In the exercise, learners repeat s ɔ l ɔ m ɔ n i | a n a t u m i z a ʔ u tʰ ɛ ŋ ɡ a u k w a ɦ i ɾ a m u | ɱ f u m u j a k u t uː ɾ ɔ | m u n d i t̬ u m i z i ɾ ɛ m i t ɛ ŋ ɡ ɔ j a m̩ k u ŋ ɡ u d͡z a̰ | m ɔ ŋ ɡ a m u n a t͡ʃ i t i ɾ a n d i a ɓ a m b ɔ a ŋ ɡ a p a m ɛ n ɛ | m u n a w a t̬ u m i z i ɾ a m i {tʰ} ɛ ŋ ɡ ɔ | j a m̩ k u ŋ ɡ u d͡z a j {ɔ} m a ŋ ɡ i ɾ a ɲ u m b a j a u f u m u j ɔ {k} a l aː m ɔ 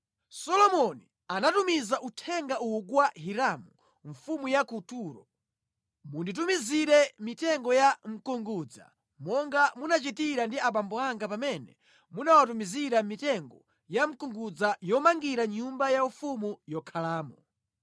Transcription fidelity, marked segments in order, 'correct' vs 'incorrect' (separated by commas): incorrect, correct, incorrect